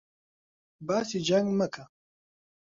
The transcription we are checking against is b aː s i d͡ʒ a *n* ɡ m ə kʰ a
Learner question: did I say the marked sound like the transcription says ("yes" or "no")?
no